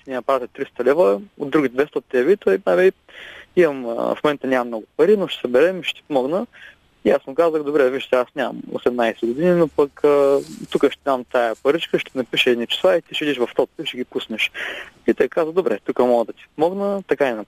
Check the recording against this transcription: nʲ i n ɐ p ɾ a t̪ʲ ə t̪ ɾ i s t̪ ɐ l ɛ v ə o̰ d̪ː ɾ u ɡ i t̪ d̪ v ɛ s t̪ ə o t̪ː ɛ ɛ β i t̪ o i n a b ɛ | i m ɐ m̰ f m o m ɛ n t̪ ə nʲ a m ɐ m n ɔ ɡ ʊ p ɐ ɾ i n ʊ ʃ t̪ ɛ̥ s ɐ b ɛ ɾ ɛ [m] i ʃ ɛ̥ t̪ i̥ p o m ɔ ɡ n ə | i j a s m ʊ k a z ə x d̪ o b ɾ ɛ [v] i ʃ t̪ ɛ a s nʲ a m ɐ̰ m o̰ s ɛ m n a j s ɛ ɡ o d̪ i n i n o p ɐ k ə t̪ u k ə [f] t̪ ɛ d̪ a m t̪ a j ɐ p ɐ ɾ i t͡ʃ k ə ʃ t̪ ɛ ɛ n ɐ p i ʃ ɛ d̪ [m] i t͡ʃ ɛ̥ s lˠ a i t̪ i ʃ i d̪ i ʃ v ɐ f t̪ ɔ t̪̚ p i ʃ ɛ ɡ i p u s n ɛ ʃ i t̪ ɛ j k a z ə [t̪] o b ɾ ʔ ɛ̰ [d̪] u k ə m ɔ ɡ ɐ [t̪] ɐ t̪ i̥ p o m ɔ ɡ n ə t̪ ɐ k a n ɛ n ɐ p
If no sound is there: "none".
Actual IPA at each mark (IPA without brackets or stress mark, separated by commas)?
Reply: m, v, ʃ, n, d̪, t̪, d̪